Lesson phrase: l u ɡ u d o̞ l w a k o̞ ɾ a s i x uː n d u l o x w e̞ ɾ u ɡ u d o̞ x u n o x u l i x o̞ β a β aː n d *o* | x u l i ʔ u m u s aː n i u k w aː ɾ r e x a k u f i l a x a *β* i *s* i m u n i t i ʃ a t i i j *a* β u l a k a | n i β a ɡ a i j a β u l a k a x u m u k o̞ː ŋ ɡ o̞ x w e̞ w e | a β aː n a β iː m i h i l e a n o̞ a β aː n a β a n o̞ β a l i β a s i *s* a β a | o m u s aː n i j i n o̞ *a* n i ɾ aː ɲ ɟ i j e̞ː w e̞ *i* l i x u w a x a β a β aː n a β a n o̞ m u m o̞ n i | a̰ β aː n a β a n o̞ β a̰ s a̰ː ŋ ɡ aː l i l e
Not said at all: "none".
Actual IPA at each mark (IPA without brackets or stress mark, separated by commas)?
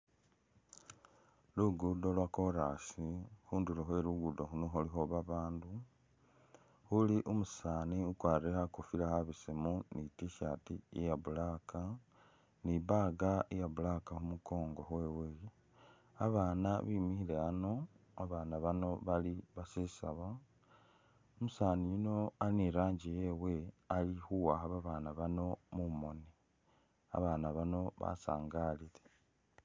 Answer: u, β, s, a, s, a, a